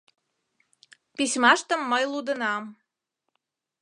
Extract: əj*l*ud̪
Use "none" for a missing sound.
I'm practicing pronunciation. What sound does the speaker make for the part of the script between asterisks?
l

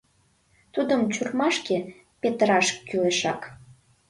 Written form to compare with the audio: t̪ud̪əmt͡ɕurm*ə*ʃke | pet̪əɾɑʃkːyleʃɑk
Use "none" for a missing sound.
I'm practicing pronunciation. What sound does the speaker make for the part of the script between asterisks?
ɑ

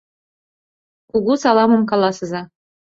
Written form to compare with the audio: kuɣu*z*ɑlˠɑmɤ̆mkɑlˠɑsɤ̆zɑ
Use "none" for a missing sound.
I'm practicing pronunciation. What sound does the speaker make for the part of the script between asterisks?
s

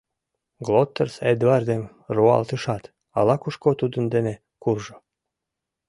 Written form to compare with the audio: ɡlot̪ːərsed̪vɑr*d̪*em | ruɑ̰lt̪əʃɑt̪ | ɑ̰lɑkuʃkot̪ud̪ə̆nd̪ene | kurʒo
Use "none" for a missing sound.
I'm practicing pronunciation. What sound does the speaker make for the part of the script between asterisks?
d̪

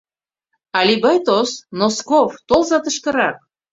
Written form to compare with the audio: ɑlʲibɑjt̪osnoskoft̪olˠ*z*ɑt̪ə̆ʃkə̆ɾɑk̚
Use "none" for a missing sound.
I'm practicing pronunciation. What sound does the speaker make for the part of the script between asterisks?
z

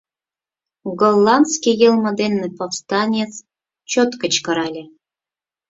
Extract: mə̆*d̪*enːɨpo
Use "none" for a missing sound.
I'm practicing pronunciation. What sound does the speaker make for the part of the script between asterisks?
d̪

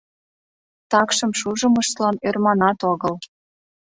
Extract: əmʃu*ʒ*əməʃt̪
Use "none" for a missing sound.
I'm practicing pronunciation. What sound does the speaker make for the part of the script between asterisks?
ʒ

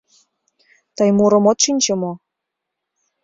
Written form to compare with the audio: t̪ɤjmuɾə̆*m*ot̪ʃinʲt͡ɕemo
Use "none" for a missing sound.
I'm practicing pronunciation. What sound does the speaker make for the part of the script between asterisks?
m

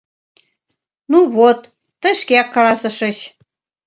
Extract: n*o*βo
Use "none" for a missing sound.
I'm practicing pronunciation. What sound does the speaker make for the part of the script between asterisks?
u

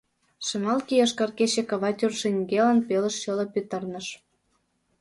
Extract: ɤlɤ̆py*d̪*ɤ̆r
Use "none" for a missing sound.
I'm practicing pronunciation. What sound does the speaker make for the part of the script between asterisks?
t̪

